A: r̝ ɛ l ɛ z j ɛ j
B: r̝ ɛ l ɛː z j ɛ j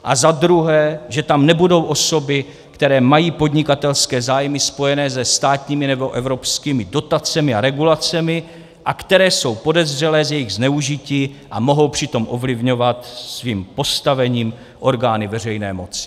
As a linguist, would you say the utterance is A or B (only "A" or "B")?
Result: B